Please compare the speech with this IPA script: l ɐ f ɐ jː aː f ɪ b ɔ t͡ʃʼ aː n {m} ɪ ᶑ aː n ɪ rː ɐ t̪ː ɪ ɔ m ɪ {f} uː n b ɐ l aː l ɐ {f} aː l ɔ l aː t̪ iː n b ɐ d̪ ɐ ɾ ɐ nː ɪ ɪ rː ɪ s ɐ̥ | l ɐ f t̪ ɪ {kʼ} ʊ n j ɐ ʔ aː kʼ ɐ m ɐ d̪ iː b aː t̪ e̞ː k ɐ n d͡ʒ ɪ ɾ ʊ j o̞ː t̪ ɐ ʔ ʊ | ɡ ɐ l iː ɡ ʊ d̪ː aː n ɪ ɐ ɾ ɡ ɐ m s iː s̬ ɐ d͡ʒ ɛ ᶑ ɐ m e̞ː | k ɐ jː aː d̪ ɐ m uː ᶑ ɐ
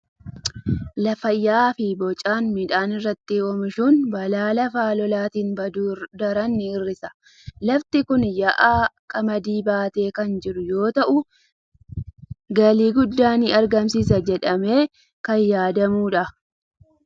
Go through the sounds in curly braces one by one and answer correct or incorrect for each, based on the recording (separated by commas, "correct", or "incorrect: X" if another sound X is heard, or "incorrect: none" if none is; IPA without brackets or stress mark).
correct, incorrect: ʃ, correct, incorrect: k